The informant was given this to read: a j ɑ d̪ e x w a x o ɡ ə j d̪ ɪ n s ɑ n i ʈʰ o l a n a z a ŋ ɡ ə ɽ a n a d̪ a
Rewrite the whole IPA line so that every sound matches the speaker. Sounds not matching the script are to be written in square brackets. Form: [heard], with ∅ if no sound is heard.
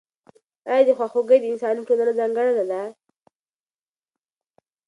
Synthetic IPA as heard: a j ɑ d̪ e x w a x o ɡ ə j d̪ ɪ n s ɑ n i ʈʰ o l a n a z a ŋ ɡ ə ɽ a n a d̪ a